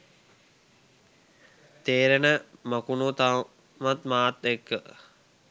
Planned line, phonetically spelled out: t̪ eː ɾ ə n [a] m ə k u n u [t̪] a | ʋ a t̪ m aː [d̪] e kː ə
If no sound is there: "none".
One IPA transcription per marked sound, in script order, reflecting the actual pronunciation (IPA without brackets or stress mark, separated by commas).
ə, t̪, t̪